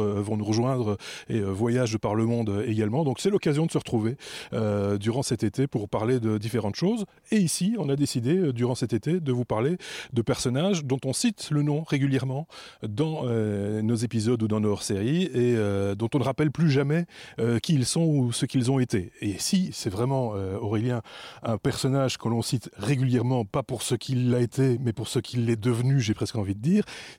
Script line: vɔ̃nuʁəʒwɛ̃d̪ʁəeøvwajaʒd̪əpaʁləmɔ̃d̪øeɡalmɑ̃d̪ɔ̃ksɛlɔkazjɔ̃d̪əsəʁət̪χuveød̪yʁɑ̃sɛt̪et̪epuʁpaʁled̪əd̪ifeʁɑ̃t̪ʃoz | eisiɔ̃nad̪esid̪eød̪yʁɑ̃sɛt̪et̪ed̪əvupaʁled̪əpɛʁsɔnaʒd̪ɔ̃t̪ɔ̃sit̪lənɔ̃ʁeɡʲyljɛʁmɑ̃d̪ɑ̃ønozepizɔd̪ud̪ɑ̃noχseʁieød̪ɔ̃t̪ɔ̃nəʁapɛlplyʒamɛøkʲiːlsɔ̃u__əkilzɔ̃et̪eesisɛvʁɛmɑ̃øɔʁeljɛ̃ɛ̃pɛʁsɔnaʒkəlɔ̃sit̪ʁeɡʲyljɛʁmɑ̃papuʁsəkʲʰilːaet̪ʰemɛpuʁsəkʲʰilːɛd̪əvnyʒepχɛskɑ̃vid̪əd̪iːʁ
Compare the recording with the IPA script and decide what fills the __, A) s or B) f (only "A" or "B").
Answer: A